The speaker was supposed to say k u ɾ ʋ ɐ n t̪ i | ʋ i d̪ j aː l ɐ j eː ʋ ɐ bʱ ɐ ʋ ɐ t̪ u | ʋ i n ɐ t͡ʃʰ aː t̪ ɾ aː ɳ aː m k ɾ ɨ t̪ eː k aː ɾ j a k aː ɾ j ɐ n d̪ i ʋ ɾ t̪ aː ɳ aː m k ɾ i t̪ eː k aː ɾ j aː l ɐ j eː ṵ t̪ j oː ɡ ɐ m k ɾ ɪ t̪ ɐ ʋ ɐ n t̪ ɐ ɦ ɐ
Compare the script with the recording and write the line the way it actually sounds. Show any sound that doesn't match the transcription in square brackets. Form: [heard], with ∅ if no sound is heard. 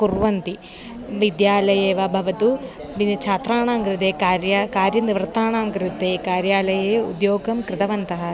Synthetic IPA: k u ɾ ʋ ɐ n t̪ i | ʋ i d̪ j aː l ɐ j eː ʋ ɐ bʱ ɐ ʋ ɐ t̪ u | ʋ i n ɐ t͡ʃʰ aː t̪ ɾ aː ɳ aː m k ɾ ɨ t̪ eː k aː ɾ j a k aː ɾ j ɐ n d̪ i ʋ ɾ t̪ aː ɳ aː m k ɾ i t̪ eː k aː ɾ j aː l ɐ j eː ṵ [d̪] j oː ɡ ɐ m k ɾ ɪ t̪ ɐ ʋ ɐ n t̪ ɐ ɦ ɐ